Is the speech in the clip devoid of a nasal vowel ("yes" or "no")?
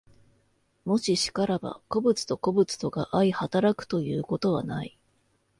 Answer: yes